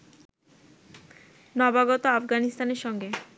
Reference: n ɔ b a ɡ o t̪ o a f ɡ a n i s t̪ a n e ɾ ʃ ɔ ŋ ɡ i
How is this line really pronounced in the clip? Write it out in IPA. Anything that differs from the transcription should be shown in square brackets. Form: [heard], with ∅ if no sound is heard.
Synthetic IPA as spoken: n ɔ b a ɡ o t̪ o a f ɡ a n i s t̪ a n e ɾ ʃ ɔ ŋ ɡ [e]

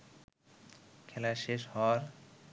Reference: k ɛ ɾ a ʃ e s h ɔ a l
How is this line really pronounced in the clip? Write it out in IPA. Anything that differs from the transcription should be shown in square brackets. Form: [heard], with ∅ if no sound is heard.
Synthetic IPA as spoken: [kʰ] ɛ [l] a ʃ e [ʃ] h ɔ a [ɾ]

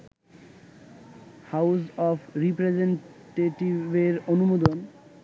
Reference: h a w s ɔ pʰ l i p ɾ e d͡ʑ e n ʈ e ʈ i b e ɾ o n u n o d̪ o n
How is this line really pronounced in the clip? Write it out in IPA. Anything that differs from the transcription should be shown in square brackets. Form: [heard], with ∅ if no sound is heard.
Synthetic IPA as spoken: h a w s ɔ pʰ [ɾ] i p ɾ e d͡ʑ e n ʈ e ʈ i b e ɾ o n u [m] o d̪ o n

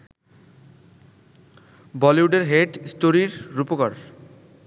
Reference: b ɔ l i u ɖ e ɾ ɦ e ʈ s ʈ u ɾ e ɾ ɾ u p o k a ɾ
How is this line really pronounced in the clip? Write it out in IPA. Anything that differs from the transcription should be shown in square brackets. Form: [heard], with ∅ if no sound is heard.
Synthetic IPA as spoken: b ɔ l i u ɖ e ɾ ɦ e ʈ s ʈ [o] ɾ [i] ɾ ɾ u p o k a ɾ

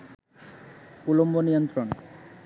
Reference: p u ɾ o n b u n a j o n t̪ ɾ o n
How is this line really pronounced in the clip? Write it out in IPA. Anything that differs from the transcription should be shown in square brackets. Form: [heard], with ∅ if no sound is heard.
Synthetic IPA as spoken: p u [l] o [m] b [o] n [i] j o n t̪ ɾ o n

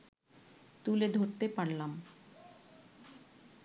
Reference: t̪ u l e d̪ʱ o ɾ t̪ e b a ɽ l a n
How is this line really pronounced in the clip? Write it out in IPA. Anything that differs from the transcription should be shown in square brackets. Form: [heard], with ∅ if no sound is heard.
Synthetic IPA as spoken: t̪ u l e d̪ʱ o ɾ t̪ e [p] a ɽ l a [m]

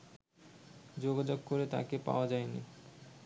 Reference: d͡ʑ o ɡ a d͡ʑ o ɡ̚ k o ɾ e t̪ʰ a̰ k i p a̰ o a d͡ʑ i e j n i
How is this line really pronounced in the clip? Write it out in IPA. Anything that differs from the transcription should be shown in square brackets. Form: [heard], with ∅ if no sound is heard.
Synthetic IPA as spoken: d͡ʑ o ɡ a d͡ʑ o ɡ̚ k o ɾ e [t̪] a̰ k [e] p a̰ o a d͡ʑ [a] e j n i

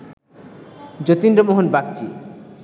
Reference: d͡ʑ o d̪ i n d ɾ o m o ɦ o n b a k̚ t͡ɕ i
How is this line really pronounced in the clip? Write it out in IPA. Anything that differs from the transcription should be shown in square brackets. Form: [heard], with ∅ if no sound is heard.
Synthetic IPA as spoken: d͡ʑ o [t̪] i n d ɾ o m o ɦ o n b a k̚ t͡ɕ i

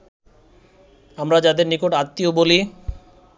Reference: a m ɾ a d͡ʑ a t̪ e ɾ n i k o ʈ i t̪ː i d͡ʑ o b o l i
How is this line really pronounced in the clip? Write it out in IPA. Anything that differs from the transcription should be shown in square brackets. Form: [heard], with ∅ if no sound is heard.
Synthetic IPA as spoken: a m ɾ a d͡ʑ a [d̪] e ɾ n i k o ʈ [a] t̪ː i [∅] o b o l i

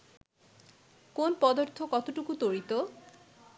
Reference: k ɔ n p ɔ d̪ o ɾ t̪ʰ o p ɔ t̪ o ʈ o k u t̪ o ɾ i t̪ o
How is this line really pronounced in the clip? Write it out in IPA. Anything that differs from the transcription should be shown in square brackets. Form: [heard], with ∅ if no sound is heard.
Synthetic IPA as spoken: k [o] n p ɔ d̪ o ɾ t̪ʰ o [k] ɔ t̪ o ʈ [u] k u t̪ o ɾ i t̪ o

